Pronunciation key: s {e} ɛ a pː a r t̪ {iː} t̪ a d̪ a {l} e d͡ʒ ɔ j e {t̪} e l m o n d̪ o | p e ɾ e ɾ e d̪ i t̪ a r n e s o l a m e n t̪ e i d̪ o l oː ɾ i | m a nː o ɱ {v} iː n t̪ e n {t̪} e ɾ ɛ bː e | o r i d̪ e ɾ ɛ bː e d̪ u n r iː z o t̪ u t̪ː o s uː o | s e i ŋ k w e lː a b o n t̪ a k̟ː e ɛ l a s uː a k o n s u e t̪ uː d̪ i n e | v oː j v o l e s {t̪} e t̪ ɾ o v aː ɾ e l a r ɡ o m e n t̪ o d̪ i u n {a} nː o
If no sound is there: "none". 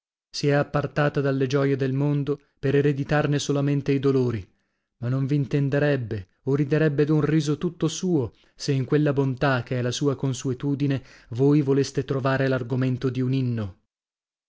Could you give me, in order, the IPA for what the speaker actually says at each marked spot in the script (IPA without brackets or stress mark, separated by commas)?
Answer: i, aː, lː, d̪, v, d̪, t̪, i